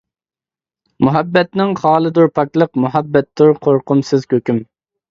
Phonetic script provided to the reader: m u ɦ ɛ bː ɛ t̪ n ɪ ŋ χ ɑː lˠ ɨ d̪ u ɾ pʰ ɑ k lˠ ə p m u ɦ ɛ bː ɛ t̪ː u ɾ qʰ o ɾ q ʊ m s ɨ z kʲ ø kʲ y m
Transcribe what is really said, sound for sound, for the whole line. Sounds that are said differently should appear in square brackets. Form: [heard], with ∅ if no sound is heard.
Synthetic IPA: m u ɦ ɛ bː ɛ t̪ n ɪ ŋ χ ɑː lˠ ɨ d̪ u ɾ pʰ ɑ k lˠ ə [q] m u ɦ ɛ bː ɛ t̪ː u ɾ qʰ o ɾ q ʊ m s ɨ z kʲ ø kʲ y m